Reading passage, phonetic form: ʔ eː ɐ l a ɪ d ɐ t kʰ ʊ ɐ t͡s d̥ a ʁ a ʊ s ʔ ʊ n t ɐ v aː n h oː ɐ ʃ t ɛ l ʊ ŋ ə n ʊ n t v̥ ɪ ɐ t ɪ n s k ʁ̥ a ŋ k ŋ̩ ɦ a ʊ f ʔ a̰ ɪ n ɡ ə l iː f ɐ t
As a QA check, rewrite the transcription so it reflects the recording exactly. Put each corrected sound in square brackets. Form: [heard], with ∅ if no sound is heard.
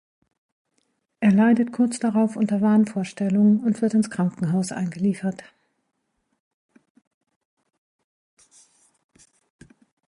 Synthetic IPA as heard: ʔ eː ɐ l a ɪ d [ə] t kʰ ʊ ɐ t͡s d̥ a ʁ a ʊ [f] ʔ ʊ n t ɐ v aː n [f] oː ɐ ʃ t ɛ l ʊ ŋ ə n ʊ n t v̥ ɪ ɐ t ɪ n s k ʁ̥ a ŋ k ŋ̩ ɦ a ʊ [s] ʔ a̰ ɪ n ɡ ə l iː f ɐ t